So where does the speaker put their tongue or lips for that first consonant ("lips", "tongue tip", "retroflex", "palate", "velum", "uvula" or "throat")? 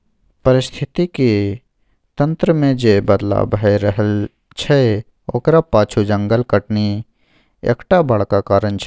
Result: lips